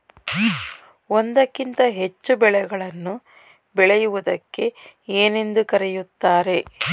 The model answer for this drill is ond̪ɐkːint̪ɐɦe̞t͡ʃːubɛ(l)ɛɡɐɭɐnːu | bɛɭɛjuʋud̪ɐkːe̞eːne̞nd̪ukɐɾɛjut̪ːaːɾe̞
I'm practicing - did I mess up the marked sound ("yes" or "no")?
yes